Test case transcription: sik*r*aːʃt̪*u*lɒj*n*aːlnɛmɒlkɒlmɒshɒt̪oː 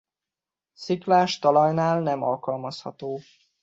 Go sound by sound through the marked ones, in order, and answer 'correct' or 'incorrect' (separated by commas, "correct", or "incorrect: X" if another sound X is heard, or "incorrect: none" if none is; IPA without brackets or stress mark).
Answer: incorrect: l, incorrect: ɒ, correct